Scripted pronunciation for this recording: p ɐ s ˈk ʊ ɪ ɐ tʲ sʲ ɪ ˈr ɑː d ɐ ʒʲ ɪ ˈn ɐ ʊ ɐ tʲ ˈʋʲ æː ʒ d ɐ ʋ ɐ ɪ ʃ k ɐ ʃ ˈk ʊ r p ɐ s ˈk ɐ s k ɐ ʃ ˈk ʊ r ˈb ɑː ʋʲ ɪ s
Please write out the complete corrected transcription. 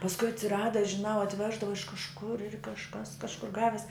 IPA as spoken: p ɐ s ˈk ʊ ɪ ɐ tʲ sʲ ɪ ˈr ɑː d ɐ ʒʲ ɪ ˈn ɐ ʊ ɐ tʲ ˈʋʲ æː ʒ d ɐ ʋ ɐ ɪ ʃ k ɐ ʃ ˈk ʊ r k ɐ ʃ ˈk ɐ s k ɐ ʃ ˈk ʊ r ˈɡ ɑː ʋʲ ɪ s